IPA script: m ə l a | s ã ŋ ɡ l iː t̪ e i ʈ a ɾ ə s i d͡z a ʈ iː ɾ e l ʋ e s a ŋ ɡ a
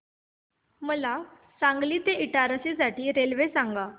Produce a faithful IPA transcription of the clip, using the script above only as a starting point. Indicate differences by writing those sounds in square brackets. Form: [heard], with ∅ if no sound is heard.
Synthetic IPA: m ə l a | s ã ŋ ɡ l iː t̪ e i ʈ a ɾ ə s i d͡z a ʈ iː ɾ e l ʋ e s a ŋ ɡ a